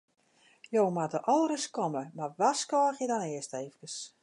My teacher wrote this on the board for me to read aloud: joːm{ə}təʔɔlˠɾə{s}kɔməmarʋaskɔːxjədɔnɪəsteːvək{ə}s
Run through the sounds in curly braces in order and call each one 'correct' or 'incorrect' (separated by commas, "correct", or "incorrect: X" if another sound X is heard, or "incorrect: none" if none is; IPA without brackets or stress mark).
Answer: incorrect: a, correct, correct